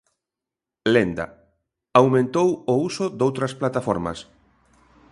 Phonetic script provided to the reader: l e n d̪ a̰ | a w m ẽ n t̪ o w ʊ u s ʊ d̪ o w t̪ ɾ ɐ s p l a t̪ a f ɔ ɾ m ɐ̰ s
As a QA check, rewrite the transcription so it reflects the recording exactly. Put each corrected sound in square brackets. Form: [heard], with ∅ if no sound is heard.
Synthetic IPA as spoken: l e n d̪ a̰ | a w m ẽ n t̪ o w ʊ u s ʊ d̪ o w t̪ ɾ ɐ s p l a t̪ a f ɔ ɾ m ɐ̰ s